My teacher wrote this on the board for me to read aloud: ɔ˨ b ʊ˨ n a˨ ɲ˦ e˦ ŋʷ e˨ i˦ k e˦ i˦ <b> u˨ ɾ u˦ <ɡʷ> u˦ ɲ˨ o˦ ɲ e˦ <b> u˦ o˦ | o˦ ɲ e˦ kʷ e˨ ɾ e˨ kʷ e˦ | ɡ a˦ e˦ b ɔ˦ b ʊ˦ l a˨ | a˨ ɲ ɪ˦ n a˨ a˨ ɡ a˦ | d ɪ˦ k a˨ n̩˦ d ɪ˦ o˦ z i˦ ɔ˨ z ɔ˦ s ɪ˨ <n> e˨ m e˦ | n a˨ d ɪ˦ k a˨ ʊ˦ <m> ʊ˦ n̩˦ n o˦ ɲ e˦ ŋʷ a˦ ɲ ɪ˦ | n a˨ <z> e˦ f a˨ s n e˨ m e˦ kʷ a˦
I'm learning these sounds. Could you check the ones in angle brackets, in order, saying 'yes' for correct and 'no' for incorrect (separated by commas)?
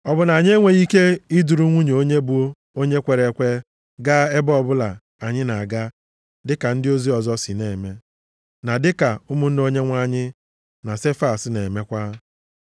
no, no, yes, yes, yes, no